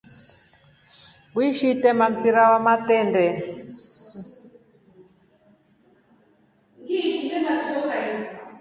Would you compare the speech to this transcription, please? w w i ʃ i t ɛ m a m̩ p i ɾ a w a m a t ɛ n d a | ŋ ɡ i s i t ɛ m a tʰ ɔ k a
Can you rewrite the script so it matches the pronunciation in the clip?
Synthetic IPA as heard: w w i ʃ i t ɛ m a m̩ p i ɾ a w a m a t ɛ n d ɛ | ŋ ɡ i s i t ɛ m a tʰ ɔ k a